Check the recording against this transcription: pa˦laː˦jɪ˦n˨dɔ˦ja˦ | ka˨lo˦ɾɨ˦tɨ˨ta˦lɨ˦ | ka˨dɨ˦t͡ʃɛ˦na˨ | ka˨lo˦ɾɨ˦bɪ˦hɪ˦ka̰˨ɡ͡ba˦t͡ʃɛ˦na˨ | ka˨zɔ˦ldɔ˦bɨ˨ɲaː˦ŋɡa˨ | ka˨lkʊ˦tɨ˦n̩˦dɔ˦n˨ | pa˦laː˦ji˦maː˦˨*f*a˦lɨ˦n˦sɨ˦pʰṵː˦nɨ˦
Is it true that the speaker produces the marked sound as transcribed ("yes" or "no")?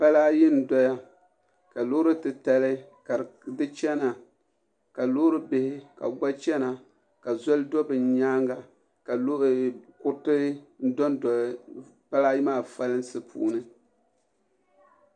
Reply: yes